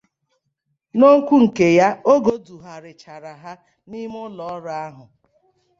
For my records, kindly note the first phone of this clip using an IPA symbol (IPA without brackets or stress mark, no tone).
n